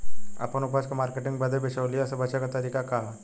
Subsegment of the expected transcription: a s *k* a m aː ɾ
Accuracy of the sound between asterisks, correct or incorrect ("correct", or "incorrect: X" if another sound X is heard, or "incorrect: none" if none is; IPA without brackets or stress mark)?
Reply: correct